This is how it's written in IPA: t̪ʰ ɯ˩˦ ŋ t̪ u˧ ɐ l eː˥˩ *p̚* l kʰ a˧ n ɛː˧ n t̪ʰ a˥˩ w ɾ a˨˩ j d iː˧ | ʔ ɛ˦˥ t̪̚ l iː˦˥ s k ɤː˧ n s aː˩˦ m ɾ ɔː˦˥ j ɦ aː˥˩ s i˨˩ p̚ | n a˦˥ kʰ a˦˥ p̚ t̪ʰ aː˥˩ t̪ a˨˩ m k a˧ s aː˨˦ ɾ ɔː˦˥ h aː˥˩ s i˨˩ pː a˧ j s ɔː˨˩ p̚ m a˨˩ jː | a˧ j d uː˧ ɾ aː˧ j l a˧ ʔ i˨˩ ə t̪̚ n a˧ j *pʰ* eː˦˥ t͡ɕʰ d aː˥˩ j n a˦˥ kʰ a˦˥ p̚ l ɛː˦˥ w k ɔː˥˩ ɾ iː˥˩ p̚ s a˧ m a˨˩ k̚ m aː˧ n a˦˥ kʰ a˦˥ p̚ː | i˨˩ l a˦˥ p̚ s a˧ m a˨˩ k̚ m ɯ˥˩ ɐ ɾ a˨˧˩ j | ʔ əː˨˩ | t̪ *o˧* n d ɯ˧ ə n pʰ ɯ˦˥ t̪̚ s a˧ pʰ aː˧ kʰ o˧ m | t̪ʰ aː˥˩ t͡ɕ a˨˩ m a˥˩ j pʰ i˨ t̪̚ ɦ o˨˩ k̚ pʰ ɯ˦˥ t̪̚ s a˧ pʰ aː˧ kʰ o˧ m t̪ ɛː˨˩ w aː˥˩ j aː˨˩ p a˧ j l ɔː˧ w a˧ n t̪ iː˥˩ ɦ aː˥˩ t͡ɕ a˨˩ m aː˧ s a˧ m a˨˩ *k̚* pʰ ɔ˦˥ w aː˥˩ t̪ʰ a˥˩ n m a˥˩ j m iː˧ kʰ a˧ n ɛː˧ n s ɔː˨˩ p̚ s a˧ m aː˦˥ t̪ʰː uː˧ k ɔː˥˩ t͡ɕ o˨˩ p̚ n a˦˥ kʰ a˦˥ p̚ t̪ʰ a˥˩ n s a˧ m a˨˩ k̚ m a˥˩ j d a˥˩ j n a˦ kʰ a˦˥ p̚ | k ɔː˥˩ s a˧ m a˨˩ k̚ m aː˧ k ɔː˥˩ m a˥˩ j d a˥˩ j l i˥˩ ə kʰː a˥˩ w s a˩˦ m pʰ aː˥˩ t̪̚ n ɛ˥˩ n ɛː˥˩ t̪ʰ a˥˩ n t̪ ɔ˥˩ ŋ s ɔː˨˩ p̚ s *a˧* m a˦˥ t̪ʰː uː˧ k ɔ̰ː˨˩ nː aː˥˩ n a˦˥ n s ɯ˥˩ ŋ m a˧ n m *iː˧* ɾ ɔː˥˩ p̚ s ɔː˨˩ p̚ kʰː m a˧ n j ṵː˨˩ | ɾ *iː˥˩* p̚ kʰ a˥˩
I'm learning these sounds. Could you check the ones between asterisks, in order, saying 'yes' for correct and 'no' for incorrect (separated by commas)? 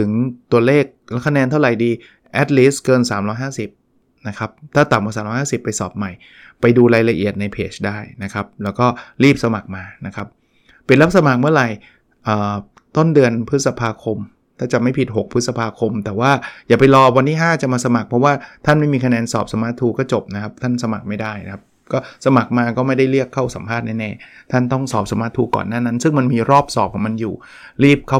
no, yes, no, yes, yes, yes, yes